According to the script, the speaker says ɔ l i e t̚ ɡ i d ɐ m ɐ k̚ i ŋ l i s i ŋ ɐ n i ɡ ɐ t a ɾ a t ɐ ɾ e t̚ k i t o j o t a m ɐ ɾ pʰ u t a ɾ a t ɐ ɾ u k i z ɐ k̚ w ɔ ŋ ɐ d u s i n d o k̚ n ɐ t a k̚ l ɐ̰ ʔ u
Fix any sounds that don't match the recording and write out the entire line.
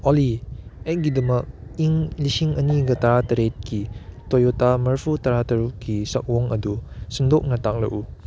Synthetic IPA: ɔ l i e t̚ ɡ i d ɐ m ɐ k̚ i ŋ l i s i ŋ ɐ n i ɡ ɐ t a ɾ a t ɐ ɾ e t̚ k i t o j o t a m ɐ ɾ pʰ u t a ɾ a t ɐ ɾ u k i s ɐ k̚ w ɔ ŋ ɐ d u s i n d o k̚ n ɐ t a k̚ l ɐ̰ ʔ u